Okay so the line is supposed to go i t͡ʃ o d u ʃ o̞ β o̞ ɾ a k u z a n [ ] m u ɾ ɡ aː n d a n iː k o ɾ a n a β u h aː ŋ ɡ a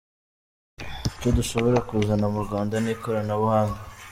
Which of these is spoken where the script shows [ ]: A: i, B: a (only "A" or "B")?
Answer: B